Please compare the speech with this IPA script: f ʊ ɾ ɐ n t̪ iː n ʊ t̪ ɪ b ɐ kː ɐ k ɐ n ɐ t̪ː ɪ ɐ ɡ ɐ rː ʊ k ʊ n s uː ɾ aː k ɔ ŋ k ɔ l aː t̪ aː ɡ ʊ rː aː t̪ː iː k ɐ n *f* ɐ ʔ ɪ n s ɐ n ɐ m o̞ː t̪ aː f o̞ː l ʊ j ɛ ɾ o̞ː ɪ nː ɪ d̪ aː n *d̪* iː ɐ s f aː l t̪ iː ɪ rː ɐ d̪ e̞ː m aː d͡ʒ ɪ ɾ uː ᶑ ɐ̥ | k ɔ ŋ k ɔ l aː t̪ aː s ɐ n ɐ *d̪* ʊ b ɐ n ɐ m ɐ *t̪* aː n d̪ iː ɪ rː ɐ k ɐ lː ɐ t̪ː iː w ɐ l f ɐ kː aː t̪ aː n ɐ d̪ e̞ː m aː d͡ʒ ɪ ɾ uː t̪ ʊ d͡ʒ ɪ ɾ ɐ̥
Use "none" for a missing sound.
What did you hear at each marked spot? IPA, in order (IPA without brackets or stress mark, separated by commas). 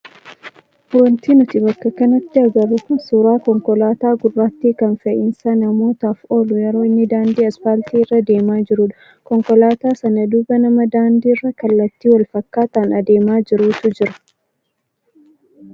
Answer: f, d̪, d̪, d̪